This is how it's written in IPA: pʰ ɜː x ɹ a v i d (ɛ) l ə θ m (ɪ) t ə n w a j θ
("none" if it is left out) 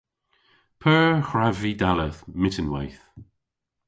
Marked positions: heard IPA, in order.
a, ɪ

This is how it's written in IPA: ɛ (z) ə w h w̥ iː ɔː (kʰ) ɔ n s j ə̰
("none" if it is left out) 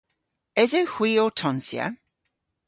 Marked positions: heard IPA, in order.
z, tʰ

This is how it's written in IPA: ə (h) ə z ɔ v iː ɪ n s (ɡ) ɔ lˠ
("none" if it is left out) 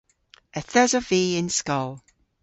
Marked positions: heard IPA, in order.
θ, k

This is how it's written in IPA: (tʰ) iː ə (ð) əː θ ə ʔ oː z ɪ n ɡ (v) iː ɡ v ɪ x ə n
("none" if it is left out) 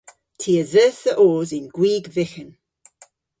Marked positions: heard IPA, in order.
tʰ, z, w

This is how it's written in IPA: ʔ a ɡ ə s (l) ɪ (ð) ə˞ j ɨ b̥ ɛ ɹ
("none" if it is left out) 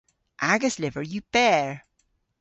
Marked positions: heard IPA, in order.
l, v

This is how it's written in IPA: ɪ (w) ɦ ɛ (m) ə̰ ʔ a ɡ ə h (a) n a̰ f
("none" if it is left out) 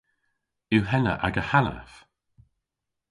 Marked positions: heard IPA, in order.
w, n, a

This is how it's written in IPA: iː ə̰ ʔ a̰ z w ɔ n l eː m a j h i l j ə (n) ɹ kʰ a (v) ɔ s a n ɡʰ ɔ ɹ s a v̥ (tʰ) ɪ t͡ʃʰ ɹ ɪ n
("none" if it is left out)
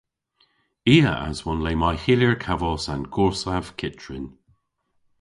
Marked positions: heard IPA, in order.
none, v, kʰ

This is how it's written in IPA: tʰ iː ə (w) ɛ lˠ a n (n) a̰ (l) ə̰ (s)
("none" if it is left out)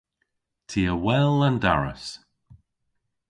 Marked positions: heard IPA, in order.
w, d, ɹ, s

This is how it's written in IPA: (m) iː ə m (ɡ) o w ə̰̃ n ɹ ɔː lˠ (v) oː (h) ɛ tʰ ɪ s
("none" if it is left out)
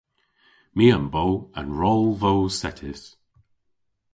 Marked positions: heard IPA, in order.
m, b, v, s

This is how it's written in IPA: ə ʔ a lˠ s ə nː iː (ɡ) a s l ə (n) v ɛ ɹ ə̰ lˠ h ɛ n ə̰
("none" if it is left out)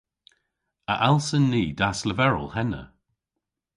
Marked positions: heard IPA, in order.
d, none

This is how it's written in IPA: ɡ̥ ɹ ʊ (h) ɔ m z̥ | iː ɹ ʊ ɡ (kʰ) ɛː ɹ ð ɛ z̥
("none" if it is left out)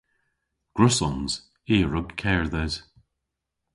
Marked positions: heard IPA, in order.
s, kʰ

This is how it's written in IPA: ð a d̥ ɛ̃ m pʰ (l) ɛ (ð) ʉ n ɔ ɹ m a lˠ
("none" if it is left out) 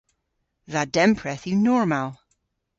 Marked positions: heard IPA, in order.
ɹ, θ

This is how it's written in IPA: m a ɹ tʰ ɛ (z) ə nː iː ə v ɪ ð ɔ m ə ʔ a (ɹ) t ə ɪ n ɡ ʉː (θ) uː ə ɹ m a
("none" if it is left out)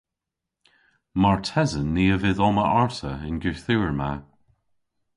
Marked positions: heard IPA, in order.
z, ɹ, θ

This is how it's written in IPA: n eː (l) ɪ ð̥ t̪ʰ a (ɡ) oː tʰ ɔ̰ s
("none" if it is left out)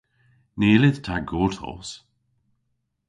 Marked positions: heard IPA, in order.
l, ɡ

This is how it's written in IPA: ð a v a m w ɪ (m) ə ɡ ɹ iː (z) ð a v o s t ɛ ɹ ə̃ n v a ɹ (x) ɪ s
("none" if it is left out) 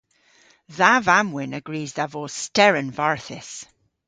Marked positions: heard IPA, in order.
n, z, θ

